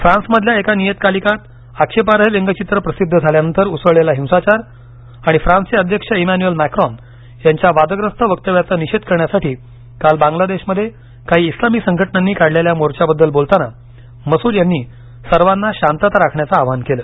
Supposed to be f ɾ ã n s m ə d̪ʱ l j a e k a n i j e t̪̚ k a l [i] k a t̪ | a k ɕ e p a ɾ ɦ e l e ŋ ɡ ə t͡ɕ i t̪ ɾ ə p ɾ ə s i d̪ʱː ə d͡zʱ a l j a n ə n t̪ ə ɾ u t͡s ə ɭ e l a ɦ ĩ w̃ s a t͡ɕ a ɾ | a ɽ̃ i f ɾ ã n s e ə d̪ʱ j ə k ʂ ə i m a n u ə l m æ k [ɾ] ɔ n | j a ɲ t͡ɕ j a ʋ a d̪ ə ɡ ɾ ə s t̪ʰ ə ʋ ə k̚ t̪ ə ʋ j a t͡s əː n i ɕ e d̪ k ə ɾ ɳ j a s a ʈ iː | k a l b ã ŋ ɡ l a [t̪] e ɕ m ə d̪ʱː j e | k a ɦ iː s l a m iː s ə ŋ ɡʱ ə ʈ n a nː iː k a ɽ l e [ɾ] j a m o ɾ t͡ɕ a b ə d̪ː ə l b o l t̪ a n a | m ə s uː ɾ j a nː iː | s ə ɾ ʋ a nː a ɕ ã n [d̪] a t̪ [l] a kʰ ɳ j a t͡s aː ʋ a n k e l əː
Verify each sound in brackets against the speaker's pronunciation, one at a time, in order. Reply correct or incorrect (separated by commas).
correct, correct, incorrect, incorrect, incorrect, incorrect